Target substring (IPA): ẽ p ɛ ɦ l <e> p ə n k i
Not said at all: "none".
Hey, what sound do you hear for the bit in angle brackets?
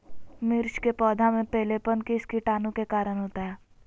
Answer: e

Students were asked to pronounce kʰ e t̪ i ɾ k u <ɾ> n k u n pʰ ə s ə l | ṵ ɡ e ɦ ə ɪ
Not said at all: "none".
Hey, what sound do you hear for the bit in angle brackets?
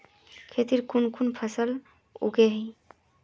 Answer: none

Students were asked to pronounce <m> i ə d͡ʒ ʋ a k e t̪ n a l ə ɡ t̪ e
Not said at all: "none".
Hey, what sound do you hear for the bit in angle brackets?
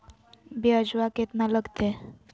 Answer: b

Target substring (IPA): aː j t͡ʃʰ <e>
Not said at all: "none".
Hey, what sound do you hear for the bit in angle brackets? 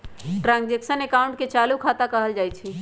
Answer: i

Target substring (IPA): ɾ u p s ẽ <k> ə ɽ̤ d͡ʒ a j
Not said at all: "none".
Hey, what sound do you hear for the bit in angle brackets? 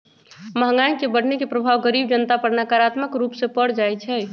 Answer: p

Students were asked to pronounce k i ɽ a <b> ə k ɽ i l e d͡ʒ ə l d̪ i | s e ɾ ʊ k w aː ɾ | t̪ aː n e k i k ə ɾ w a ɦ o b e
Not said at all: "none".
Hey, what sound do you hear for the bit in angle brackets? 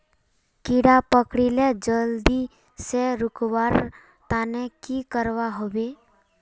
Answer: p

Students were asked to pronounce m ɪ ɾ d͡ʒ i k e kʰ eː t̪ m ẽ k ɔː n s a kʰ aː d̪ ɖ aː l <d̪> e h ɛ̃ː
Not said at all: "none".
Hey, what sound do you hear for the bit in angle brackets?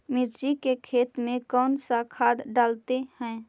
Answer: t̪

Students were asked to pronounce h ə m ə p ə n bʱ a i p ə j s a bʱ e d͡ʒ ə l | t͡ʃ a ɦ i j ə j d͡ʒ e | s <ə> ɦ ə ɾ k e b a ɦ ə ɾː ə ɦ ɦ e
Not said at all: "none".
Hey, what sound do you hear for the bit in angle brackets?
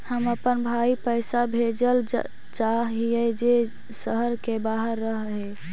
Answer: ə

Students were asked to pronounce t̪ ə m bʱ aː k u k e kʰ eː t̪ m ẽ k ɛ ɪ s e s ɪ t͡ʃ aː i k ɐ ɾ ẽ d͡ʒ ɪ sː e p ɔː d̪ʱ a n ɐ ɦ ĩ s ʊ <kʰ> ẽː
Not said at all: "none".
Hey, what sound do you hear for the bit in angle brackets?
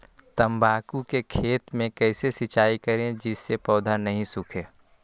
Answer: kʰ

